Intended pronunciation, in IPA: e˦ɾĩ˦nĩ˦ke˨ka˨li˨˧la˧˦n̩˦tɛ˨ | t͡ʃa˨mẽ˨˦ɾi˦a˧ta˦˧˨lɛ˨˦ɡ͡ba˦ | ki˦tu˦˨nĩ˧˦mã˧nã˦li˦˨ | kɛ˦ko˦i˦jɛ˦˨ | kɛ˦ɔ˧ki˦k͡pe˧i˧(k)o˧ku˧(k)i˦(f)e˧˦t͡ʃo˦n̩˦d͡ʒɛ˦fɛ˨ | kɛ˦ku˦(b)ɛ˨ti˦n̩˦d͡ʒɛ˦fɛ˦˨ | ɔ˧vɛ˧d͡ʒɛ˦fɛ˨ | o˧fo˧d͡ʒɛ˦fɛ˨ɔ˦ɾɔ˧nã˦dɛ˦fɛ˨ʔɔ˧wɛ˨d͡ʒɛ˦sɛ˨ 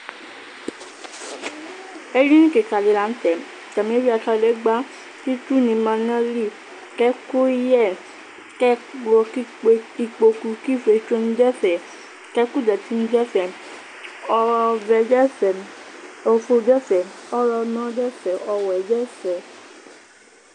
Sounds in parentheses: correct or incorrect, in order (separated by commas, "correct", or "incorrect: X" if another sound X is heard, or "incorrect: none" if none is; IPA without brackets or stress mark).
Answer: incorrect: k͡p, correct, correct, incorrect: d